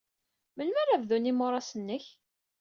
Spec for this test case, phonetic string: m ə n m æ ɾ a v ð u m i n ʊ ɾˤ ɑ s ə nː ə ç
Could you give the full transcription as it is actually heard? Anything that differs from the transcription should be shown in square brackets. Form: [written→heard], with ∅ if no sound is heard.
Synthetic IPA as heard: m ə n m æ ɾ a v ð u [m→n] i [n→m] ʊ ɾˤ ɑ s ə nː ə ç